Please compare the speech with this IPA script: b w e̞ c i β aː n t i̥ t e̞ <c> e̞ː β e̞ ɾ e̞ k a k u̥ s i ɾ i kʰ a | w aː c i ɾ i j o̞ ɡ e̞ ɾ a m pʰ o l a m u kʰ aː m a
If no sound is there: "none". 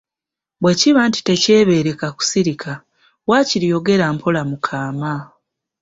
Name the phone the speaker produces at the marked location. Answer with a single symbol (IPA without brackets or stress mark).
c